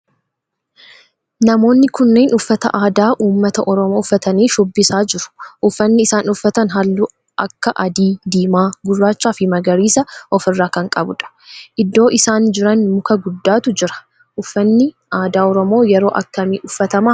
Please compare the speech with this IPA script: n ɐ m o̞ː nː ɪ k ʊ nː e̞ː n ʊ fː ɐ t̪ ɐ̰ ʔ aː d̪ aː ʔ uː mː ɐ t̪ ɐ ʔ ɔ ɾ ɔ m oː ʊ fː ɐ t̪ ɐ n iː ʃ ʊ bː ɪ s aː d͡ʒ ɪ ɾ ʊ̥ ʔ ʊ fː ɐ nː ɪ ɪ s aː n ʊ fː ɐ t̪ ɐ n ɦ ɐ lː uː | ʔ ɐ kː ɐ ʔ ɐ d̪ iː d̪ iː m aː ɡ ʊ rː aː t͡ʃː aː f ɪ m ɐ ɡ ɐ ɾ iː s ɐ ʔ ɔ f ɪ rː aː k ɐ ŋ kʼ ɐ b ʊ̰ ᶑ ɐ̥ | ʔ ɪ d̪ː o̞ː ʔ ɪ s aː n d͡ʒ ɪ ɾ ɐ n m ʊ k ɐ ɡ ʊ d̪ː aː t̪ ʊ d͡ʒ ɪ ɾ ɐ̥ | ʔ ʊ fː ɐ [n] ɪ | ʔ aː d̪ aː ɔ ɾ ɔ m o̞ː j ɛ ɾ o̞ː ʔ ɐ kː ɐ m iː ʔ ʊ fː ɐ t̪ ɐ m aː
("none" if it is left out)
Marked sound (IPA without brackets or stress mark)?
nː